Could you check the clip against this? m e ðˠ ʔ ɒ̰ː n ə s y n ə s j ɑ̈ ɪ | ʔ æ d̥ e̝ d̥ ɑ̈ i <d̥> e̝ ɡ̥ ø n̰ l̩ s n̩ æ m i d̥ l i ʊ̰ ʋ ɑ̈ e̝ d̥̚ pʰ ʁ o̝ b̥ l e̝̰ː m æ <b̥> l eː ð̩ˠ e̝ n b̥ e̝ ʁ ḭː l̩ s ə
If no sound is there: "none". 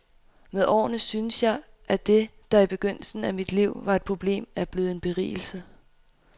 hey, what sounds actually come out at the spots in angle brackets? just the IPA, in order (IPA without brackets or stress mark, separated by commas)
b̥, b̥